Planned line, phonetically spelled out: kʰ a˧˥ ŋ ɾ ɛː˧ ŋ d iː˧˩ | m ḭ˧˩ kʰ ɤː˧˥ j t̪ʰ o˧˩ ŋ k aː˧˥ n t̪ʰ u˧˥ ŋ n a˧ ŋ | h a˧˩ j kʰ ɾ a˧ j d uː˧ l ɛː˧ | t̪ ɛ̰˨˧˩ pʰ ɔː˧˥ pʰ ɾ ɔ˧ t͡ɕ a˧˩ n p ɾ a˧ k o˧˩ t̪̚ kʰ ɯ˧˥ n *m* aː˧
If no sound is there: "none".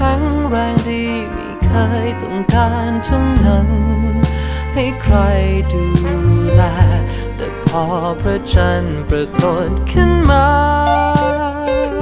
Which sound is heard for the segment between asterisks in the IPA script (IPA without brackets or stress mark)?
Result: m